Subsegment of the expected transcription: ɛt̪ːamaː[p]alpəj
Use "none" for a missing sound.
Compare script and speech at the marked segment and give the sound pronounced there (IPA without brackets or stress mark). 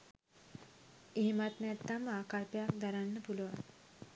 k